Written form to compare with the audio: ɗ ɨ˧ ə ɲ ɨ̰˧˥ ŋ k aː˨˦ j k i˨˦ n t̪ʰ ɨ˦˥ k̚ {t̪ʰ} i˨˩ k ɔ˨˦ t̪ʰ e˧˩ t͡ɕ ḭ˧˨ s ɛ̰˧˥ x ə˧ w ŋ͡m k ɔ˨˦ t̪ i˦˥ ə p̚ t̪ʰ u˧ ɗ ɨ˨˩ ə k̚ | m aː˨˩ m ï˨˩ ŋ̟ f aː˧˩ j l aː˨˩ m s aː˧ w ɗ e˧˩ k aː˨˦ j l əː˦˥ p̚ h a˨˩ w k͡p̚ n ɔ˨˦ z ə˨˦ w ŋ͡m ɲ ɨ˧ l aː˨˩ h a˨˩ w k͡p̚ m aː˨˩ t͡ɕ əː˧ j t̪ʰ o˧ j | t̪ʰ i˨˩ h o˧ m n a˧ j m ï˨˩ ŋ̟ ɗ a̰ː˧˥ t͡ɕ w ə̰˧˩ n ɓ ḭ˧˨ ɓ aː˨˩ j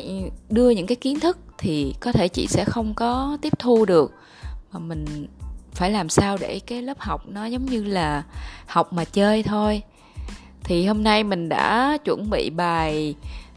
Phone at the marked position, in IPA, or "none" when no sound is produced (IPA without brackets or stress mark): t̪ʰ